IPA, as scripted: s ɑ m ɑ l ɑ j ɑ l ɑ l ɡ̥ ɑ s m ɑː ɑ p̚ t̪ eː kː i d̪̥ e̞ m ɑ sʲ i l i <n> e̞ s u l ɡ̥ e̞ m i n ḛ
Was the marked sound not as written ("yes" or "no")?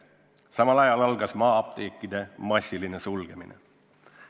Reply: no